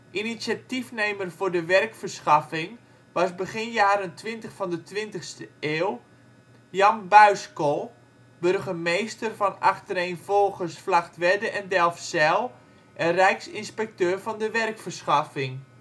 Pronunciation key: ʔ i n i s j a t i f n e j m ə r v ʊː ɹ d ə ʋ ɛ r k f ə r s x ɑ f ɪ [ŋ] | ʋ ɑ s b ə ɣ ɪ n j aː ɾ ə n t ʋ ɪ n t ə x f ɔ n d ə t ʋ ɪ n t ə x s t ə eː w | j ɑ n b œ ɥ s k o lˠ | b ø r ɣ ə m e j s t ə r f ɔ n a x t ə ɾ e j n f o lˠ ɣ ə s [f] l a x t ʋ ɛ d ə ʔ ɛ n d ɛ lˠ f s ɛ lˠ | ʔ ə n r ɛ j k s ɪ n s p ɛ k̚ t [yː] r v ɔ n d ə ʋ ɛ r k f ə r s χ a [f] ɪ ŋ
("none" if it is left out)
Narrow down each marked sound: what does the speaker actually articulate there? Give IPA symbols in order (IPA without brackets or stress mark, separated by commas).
ŋ, f, øː, f